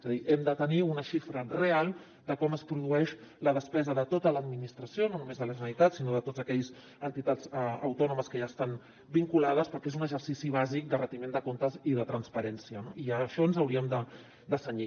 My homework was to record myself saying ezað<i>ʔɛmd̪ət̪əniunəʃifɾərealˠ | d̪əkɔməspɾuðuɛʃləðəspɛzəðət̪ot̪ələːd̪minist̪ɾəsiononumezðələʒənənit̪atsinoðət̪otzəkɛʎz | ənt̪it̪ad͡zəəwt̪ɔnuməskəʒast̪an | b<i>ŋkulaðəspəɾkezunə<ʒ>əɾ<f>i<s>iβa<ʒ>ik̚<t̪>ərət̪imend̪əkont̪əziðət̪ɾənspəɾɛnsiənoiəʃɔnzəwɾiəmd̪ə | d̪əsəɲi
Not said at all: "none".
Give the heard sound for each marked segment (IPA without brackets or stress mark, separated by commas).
i, i, ʒ, s, s, z, d̪